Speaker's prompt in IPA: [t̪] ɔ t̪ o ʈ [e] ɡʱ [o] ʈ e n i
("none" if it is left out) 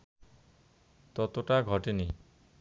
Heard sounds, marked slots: t̪, a, ɔ

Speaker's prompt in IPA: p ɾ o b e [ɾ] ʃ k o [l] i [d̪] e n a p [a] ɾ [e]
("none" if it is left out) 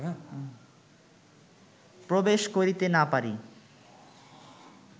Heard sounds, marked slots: none, ɾ, t̪, a, i

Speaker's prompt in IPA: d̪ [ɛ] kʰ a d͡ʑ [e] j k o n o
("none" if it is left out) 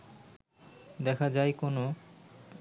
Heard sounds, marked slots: ɛ, a

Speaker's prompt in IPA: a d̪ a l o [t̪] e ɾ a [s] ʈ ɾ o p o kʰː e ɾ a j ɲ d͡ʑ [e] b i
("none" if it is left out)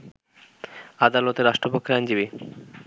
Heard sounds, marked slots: t̪, ʃ, i

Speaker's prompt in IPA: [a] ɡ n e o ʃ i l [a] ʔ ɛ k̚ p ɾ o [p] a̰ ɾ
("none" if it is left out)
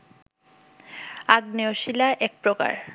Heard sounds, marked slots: a, a, k

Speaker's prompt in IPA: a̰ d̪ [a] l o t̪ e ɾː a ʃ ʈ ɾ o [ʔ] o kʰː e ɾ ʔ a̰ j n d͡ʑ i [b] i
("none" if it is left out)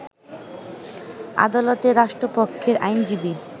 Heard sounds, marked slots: a, p, b

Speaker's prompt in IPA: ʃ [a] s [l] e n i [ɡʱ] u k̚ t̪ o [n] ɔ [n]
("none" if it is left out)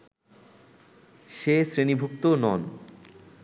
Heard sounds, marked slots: e, ɾ, bʱ, n, n

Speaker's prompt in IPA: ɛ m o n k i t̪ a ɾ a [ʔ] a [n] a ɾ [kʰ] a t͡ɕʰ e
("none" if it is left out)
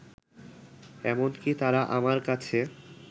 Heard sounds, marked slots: ʔ, m, k

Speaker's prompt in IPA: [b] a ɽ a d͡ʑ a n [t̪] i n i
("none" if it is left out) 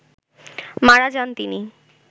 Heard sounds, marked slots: m, t̪

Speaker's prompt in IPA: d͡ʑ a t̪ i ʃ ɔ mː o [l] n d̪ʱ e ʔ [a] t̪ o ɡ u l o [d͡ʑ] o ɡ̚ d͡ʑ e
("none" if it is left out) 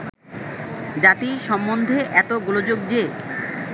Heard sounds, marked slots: none, ɛ, d͡ʑ

